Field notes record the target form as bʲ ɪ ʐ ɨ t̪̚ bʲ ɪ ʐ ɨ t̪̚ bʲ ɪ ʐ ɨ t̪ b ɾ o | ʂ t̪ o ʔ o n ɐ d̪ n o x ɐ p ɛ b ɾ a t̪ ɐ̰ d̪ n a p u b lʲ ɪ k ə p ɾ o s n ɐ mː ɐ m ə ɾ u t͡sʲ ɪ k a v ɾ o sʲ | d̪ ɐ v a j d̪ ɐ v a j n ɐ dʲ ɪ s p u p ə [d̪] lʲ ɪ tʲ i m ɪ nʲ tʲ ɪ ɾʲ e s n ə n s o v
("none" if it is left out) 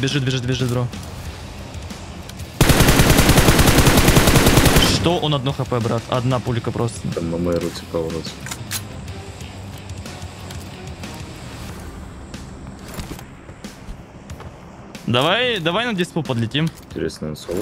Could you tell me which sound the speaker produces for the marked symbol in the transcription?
d̪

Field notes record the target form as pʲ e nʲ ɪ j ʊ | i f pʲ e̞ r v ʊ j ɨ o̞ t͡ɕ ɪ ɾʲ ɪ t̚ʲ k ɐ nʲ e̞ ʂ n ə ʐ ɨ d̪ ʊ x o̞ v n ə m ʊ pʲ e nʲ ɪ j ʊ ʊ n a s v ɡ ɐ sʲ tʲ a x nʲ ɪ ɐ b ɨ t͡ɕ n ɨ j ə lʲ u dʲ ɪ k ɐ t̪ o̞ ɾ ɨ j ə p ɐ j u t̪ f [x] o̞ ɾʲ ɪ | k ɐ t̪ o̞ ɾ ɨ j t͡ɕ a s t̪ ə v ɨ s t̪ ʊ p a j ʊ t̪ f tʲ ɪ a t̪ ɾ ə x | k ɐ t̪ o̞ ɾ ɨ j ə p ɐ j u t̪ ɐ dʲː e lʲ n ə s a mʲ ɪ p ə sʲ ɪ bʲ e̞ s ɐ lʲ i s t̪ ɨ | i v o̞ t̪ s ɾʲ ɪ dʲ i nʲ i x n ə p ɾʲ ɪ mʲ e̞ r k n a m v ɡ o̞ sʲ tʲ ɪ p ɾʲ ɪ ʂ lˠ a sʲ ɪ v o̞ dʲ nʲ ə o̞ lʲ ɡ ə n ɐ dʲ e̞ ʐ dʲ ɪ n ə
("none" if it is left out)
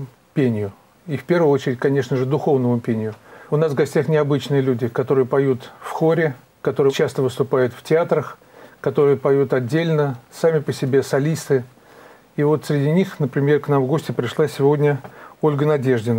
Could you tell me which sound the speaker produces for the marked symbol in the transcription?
x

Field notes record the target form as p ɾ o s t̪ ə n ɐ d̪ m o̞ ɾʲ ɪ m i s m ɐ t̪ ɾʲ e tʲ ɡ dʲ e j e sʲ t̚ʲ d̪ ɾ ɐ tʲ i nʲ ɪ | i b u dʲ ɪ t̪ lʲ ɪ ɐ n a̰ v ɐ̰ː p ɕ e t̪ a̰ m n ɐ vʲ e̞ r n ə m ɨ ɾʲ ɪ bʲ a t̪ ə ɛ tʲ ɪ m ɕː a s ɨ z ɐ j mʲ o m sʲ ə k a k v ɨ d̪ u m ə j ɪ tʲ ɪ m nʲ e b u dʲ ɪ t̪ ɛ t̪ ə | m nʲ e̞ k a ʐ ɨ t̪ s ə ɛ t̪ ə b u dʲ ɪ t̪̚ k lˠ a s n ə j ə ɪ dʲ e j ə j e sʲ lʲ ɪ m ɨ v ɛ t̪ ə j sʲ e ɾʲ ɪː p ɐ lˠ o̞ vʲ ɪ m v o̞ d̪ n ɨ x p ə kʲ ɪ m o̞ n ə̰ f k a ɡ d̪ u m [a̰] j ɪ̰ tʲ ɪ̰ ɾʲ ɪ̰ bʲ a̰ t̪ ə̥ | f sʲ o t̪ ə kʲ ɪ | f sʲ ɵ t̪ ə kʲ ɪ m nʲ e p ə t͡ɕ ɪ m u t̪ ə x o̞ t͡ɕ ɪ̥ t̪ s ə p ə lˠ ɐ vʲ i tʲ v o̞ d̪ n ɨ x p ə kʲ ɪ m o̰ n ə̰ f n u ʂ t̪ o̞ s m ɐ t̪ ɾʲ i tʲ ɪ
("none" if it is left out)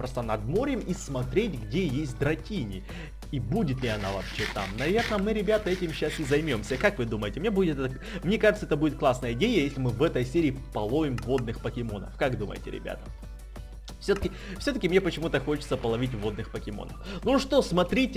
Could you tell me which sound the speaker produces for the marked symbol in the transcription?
ə̰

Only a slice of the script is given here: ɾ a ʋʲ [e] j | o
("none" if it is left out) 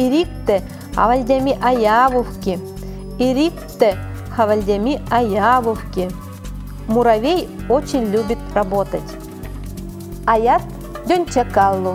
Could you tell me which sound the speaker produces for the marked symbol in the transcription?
e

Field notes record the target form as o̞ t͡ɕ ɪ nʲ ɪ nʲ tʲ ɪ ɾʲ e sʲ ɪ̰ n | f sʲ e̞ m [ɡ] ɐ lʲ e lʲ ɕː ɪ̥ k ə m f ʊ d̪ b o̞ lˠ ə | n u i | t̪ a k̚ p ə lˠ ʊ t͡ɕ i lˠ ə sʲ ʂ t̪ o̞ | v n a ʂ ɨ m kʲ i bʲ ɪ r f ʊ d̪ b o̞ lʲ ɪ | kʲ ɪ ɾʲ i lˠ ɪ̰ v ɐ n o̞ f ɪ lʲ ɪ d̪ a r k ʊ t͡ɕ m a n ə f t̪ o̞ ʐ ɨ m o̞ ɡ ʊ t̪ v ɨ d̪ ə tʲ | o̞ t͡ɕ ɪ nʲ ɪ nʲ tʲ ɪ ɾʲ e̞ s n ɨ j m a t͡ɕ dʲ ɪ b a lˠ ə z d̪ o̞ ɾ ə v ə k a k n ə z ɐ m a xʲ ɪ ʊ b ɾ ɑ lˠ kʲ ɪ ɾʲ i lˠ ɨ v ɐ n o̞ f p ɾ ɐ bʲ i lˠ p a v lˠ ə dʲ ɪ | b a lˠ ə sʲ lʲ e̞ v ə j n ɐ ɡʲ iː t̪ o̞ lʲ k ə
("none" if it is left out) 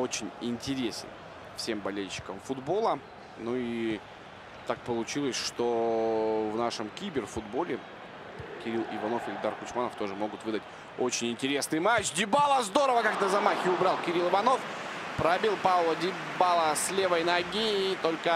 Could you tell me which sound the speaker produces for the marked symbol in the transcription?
b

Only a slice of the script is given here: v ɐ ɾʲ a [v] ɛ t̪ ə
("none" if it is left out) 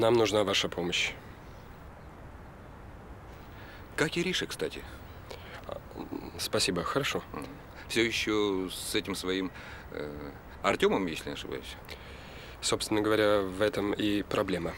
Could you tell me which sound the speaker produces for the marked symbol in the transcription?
v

